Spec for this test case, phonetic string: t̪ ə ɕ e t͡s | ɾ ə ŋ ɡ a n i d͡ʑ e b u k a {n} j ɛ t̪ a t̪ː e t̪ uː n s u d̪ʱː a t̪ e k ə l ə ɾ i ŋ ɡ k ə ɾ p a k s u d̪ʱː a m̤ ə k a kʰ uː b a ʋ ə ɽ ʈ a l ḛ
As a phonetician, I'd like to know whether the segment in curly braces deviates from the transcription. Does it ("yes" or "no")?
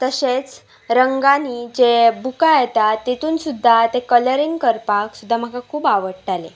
yes